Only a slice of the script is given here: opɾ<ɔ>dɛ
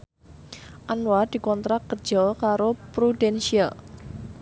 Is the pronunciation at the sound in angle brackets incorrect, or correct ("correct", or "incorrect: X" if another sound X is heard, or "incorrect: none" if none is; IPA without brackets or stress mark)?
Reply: incorrect: u